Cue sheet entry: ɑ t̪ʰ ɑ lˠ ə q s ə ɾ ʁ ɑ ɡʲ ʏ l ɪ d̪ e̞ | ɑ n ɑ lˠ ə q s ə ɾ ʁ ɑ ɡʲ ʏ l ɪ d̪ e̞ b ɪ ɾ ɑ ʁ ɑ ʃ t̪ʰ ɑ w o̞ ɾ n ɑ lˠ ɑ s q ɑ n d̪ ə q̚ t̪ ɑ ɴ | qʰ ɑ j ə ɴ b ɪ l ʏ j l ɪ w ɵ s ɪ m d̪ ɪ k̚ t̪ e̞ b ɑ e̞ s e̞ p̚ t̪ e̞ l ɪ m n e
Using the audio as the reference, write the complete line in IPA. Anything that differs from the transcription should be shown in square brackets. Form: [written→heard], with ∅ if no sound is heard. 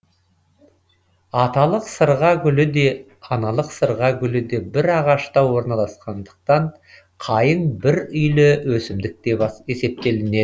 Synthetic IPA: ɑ [t̪ʰ→t̪] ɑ lˠ ə q s ə ɾ ʁ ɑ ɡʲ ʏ l ɪ d̪ e̞ | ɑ n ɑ lˠ ə q s ə ɾ ʁ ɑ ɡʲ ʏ l ɪ d̪ e̞ b ɪ ɾ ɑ ʁ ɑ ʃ [t̪ʰ→t̪] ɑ w o̞ ɾ n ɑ lˠ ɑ s q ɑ n d̪ ə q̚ t̪ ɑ ɴ | qʰ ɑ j ə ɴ b ɪ [l→ɾ] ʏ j l ɪ w ɵ s ɪ m d̪ ɪ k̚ t̪ e̞ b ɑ e̞ s e̞ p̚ t̪ e̞ l ɪ [m→∅] n e